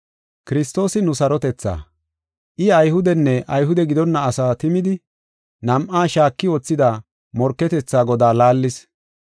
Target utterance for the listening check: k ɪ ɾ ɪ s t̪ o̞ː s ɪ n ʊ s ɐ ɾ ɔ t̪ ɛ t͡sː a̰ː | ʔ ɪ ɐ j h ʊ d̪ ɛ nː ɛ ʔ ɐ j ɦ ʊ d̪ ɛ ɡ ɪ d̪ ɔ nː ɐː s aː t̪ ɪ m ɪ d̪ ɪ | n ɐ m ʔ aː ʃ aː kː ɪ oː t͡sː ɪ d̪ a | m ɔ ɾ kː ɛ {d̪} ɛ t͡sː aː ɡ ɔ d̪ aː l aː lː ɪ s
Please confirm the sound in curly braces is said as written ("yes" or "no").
no